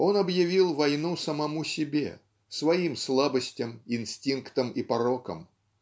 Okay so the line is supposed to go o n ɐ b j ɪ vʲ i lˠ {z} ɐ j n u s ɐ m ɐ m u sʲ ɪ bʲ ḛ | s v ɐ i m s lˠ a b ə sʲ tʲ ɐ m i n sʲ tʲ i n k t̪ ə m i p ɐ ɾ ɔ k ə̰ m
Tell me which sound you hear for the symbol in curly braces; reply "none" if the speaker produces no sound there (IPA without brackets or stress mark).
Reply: v